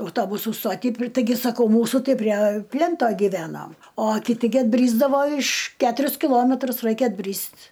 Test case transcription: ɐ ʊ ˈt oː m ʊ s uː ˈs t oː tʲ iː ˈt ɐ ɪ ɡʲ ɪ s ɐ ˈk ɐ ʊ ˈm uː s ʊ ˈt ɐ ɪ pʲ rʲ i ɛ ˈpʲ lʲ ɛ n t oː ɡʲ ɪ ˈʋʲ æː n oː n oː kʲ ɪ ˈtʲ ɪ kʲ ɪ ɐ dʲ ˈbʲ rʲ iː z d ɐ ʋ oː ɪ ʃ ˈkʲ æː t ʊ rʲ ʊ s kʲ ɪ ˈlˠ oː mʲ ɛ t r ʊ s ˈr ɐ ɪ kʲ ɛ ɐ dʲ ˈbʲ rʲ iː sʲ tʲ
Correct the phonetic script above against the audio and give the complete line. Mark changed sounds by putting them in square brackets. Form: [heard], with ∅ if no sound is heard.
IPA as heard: ɐ ʊ ˈt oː [b] ʊ s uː ˈs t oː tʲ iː ˈt ɐ ɪ ɡʲ ɪ s ɐ ˈk ɐ ʊ ˈm uː s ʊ ˈt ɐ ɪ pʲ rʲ i ɛ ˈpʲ lʲ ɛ n t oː ɡʲ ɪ ˈʋʲ æː n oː [m] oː kʲ ɪ ˈtʲ ɪ [ɡʲ] ɪ ɐ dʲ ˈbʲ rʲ iː z d ɐ ʋ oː ɪ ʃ ˈkʲ æː t ʊ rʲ ʊ s kʲ ɪ ˈlˠ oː mʲ ɛ t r ʊ s ˈr ɐ ɪ kʲ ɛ ɐ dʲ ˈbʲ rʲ iː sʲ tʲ